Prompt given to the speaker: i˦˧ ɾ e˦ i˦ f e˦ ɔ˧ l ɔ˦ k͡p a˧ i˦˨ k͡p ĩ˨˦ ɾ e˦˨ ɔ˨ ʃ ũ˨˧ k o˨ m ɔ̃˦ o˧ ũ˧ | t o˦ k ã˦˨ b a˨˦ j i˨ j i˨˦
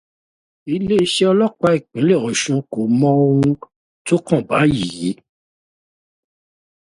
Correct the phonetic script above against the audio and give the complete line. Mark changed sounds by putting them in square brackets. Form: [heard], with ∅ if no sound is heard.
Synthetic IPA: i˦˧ [l] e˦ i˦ [ʃ] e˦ ɔ˧ l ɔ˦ k͡p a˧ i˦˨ k͡p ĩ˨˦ [l] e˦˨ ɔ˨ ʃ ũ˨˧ k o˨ m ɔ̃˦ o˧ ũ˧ | t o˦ k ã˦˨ b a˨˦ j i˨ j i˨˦